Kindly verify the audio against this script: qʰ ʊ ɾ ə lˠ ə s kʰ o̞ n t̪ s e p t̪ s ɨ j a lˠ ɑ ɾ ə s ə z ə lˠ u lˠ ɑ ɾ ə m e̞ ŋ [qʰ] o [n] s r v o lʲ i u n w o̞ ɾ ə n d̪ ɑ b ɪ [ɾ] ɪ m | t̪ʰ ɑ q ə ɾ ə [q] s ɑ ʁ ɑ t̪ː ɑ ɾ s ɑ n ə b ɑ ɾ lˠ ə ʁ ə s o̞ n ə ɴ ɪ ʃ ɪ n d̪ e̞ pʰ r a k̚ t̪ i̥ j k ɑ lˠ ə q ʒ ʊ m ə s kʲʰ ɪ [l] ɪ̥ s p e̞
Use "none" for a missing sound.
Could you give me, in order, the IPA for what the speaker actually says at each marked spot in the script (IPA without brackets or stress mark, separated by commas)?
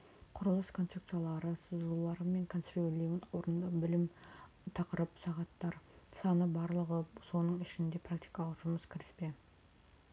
kʰ, n, l, p, ɾ